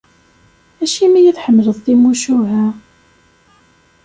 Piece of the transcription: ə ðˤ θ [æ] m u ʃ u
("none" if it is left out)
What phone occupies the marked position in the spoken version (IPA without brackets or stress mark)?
i